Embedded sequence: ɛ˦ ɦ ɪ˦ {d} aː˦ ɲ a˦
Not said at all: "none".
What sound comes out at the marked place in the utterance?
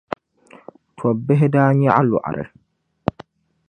d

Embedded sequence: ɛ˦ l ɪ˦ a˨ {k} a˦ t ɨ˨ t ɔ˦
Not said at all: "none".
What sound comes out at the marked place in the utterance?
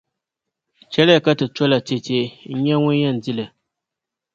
k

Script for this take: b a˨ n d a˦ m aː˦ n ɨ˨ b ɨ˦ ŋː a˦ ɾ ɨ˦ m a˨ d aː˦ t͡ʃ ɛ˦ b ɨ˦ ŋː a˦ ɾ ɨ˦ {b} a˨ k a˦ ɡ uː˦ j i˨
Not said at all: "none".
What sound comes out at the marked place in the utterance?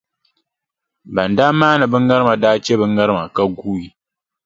m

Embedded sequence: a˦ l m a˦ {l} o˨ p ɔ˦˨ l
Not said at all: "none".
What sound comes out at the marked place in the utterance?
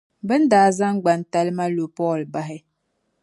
l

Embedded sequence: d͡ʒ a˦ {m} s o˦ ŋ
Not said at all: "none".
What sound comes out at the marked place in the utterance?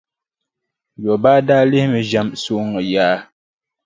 m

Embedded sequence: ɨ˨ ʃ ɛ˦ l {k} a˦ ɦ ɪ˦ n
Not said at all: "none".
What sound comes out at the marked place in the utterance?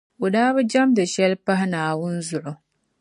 p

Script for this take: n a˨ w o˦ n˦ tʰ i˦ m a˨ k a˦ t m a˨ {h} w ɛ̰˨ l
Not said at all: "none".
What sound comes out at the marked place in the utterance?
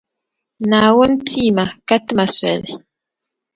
s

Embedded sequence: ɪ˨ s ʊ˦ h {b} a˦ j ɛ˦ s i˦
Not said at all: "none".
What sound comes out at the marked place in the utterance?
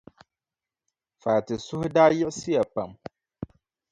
d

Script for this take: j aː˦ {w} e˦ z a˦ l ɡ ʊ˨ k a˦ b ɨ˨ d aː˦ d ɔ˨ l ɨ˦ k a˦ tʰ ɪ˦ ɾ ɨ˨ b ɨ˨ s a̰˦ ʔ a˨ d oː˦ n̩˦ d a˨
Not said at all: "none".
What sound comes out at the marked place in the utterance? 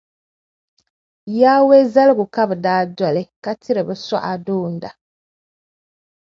w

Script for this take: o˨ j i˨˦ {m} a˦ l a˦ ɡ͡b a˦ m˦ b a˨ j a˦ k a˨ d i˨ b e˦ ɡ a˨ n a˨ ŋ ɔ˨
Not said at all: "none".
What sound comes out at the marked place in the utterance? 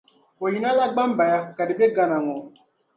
n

